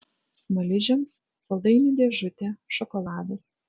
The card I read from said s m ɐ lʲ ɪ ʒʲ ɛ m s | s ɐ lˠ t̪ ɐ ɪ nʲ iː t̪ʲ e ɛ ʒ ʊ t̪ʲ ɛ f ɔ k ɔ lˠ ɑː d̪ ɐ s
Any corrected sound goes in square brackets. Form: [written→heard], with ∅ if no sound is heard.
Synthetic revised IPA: s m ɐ lʲ ɪ ʒʲ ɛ m s | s ɐ lˠ [t̪→d̪] ɐ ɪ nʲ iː [t̪ʲ→d̪ʲ] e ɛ ʒ ʊ t̪ʲ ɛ [f→ʃ] ɔ k ɔ lˠ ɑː d̪ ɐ s